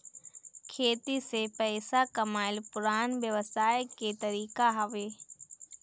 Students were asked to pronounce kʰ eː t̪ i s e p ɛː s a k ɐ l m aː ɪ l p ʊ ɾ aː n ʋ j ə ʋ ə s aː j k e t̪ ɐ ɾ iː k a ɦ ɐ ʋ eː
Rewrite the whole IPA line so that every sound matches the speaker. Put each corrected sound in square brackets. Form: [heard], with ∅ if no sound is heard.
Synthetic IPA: kʰ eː t̪ i s e p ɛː s a k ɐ [∅] m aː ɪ l p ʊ ɾ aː n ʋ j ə ʋ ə s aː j k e t̪ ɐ ɾ iː k a ɦ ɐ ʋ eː

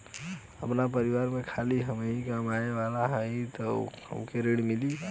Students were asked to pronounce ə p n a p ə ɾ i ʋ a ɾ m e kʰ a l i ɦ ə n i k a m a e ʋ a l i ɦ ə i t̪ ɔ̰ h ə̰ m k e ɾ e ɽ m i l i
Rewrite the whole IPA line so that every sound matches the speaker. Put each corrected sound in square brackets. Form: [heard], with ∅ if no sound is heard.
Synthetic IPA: ə p n a p ə ɾ i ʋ a ɾ m e kʰ a l i ɦ ə [m] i k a m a e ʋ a l [a] ɦ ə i t̪ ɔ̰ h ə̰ m k e ɾ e ɽ m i l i

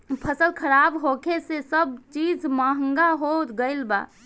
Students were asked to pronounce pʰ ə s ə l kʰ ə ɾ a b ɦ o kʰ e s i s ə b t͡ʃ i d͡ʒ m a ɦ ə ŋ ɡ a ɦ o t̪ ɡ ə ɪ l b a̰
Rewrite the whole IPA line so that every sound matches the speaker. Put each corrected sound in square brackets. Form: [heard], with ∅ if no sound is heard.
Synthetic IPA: pʰ ə s ə l kʰ ə ɾ a b ɦ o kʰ e s [e] s ə b t͡ʃ i d͡ʒ m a ɦ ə ŋ ɡ a ɦ o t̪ ɡ ə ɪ l b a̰

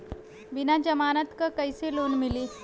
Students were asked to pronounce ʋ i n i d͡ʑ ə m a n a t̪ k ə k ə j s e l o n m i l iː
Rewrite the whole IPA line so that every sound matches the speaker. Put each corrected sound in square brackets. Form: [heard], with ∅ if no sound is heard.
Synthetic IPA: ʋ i n [a] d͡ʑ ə m a n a t̪ k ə k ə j s e l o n m i l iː

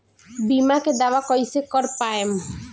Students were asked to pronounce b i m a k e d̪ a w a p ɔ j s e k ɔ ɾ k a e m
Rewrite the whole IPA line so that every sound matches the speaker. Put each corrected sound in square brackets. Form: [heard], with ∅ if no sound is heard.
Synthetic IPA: b i m a k e d̪ a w a [k] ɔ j s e k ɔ ɾ [p] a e m

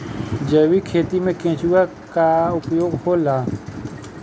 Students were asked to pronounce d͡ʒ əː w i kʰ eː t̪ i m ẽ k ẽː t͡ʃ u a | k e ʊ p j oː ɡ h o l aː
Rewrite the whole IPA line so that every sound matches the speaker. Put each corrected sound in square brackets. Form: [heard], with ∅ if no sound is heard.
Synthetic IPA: d͡ʒ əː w i kʰ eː t̪ i m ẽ k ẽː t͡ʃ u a | k [a] ʊ p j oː ɡ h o l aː

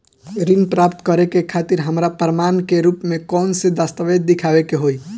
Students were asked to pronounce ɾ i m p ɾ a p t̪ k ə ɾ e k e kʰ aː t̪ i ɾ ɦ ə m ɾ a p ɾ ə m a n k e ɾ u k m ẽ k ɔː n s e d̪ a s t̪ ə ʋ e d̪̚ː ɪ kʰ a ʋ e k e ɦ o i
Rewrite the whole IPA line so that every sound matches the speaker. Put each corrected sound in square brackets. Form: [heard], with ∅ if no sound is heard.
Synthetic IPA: ɾ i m p ɾ a p t̪ k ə ɾ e k e kʰ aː t̪ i ɾ ɦ ə m ɾ a p ɾ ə m a n k e ɾ u [p] m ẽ k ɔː n s e d̪ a s t̪ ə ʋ e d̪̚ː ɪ kʰ a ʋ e k e ɦ o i

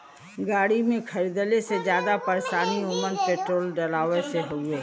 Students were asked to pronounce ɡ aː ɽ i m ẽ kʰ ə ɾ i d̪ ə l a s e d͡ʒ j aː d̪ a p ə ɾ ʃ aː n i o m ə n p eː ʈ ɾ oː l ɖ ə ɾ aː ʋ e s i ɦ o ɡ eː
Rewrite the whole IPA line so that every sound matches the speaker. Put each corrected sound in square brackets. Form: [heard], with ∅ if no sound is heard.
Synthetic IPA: ɡ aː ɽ i m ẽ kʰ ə ɾ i d̪ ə l [e] s e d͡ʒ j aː d̪ a p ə ɾ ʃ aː n i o m ə n p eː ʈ ɾ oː l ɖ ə [l] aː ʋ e s [e] ɦ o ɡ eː

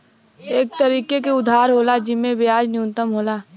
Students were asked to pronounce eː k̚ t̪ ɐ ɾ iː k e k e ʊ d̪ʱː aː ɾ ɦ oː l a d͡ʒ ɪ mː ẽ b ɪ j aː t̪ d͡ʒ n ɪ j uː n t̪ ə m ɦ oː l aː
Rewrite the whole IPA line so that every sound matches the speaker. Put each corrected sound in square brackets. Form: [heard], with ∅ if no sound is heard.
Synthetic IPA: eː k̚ t̪ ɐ ɾ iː k e k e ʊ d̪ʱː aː ɾ ɦ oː l a d͡ʒ ɪ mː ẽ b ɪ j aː [∅] d͡ʒ n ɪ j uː n t̪ ə m ɦ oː l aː

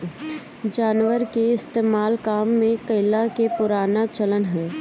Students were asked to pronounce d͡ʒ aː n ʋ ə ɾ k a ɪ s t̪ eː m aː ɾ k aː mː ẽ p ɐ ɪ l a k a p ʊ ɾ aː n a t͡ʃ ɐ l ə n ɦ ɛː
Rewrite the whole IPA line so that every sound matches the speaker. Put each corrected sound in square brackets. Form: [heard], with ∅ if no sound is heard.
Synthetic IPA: d͡ʒ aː n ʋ ə ɾ k [e] ɪ s t̪ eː m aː [l] k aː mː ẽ [k] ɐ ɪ l a k [e] p ʊ ɾ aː n a t͡ʃ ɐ l ə n ɦ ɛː

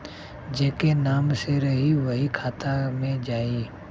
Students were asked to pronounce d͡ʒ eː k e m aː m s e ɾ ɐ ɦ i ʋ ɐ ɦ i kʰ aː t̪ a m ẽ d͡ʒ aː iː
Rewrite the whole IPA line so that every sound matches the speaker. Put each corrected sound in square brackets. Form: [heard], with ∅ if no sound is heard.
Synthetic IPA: d͡ʒ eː k e [n] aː m s e ɾ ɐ ɦ i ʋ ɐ ɦ i kʰ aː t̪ a m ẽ d͡ʒ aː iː

